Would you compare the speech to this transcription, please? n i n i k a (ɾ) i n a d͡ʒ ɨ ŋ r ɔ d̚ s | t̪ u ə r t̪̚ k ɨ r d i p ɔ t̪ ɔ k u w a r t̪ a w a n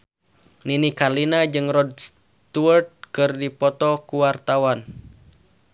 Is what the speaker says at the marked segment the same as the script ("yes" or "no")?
no